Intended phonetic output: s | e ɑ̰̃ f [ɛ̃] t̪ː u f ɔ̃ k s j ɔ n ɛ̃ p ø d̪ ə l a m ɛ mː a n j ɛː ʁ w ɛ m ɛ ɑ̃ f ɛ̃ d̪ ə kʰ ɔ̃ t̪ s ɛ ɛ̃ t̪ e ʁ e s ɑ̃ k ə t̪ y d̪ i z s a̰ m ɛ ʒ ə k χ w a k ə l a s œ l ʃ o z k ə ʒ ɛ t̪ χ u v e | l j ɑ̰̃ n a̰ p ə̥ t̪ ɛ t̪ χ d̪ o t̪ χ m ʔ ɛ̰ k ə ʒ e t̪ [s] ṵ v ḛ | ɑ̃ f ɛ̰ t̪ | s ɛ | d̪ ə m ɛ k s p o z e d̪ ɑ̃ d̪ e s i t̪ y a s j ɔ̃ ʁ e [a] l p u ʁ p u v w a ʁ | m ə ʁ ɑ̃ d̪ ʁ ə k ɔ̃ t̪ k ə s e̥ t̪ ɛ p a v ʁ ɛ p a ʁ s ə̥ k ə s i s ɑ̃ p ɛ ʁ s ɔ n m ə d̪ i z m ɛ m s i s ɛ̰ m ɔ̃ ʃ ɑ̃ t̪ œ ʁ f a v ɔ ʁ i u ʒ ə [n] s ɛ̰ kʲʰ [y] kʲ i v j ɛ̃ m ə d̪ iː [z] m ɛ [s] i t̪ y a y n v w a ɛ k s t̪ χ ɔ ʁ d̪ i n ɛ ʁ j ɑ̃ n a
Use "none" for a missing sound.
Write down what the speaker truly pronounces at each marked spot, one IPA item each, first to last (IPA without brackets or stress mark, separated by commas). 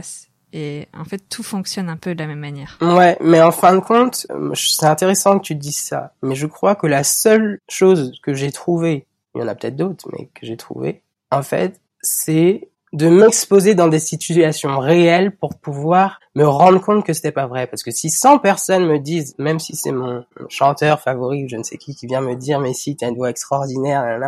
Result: ɛ, χ, ɛ, n, i, ʁ, s